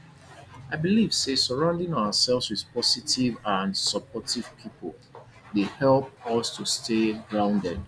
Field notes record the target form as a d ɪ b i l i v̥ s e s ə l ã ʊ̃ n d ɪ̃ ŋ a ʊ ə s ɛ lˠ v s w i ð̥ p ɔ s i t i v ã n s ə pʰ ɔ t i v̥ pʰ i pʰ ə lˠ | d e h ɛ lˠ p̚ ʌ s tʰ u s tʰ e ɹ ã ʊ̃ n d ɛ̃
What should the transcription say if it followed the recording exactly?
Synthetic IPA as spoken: a ɪ b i l i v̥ s e s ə ɹ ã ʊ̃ n d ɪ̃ ŋ a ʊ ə s ɛ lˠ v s w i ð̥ p ɔ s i t i v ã n s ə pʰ ɔ t i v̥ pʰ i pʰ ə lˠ | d e h ɛ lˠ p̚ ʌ s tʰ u s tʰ e ɹ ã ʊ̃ n d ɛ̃